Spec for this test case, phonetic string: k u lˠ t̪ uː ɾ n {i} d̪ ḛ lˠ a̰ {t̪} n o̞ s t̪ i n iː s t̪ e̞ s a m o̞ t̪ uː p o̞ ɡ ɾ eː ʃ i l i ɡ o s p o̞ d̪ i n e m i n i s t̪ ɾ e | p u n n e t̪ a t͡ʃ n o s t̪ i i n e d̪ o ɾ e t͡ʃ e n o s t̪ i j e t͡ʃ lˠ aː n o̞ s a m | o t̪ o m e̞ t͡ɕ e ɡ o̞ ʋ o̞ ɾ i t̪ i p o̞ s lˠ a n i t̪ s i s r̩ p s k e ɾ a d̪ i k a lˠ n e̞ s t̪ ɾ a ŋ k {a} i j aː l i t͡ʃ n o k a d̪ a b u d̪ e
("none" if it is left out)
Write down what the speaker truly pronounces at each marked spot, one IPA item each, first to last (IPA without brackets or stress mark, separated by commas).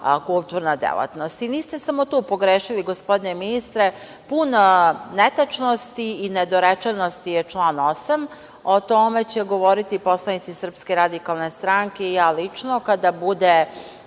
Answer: a, t̪, e